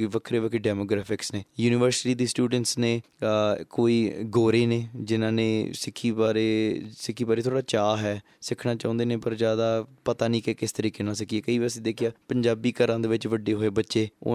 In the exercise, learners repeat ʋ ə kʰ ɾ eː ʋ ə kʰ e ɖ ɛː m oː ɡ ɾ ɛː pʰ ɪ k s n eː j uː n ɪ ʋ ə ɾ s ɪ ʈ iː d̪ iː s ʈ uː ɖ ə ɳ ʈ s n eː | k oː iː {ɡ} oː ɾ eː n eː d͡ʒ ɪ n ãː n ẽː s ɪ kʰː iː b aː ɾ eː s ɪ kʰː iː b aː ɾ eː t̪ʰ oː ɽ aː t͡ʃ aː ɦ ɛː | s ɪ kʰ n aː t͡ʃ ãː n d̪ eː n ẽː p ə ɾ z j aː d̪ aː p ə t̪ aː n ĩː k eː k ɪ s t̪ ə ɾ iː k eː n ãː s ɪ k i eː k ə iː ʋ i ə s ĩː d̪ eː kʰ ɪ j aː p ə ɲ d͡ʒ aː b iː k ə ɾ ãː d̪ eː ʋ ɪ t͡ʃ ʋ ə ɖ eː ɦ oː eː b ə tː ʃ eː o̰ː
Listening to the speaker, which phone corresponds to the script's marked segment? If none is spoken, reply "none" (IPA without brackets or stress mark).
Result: ɡ